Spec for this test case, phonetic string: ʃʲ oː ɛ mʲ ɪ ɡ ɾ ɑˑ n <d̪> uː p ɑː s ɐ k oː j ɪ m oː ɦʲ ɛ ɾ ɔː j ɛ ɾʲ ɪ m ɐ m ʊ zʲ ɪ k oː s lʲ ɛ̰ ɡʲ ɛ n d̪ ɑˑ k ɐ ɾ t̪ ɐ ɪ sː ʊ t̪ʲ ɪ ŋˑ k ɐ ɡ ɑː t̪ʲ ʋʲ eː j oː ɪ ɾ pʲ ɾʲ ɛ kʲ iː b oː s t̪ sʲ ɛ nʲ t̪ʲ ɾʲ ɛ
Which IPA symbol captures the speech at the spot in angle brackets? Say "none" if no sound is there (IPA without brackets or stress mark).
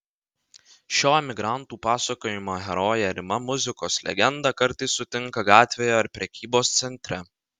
t̪